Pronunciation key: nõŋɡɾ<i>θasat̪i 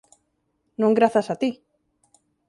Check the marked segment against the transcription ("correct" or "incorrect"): incorrect